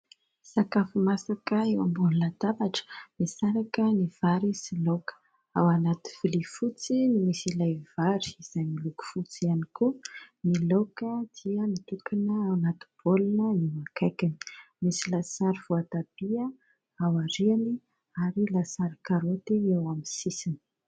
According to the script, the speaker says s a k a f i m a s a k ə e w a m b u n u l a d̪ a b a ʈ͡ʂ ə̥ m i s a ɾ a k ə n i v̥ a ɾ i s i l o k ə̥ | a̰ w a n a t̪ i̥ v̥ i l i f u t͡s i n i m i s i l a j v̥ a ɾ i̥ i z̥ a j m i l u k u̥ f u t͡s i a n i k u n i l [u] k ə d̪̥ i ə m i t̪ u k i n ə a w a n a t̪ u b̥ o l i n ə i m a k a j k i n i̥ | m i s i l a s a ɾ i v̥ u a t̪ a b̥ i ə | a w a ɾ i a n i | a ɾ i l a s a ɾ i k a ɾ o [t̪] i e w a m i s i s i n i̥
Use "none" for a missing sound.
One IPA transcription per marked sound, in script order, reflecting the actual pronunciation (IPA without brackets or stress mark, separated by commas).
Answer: o, t̪